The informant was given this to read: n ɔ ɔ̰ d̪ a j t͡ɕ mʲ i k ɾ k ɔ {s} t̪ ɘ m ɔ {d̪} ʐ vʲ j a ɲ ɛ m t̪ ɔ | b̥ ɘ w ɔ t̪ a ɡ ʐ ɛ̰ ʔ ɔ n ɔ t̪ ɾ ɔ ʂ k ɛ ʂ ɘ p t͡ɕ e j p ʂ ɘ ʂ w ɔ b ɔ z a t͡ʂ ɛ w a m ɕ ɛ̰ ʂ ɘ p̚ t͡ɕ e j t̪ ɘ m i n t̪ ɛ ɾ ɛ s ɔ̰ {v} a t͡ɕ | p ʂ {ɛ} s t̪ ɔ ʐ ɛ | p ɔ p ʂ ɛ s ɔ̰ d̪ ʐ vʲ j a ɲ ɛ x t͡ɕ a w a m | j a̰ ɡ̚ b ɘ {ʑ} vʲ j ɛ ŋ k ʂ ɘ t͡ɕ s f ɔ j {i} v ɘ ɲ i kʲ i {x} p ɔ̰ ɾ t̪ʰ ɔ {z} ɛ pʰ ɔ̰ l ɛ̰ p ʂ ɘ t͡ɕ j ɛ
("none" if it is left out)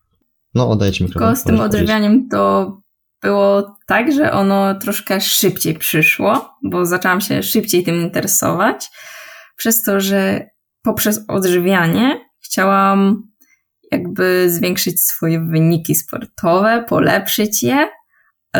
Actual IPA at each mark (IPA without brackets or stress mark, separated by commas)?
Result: s, d̪, v, ɛ, z, ɛ, s, v